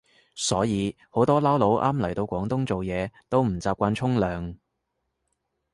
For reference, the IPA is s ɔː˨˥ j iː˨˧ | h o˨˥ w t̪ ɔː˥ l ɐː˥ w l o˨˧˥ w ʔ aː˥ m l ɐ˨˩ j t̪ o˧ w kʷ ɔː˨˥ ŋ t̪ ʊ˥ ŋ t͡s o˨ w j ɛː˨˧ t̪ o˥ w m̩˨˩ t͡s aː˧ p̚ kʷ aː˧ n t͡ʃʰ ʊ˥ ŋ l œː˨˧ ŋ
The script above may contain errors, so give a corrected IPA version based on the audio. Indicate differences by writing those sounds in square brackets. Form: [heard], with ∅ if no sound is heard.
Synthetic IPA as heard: s ɔː˨˥ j iː˨˧ | h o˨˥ w t̪ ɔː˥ l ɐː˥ w l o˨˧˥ w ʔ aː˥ m l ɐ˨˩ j t̪ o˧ w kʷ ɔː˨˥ ŋ t̪ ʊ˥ ŋ t͡s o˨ w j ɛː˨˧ t̪ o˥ w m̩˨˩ t͡s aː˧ p̚ kʷ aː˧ n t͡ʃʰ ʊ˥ ŋ l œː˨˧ ŋ